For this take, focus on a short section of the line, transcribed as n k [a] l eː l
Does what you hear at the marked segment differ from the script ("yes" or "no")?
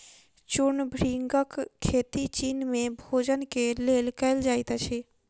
yes